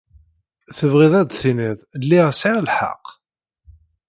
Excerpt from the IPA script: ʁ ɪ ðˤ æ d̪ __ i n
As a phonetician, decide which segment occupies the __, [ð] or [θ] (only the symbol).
θ